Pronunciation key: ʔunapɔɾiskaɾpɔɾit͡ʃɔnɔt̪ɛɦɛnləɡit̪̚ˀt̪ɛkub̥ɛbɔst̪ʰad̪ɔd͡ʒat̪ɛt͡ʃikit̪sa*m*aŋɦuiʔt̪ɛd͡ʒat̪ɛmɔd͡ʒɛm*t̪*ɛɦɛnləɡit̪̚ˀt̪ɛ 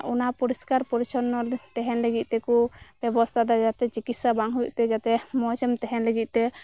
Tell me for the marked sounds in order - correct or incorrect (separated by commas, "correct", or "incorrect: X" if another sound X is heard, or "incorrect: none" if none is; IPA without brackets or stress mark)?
incorrect: b, correct